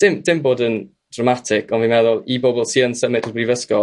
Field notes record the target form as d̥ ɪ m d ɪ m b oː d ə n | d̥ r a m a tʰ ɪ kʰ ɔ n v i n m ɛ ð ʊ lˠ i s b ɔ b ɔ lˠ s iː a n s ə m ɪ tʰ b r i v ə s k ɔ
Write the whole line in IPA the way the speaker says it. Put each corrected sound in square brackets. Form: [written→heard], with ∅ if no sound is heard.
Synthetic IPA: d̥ ɪ m d ɪ m b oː d ə n | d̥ r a m a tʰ ɪ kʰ ɔ n v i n m ɛ ð ʊ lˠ i [s→∅] b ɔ b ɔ lˠ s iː [a→ə] n s ə m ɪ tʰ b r i v ə s k ɔ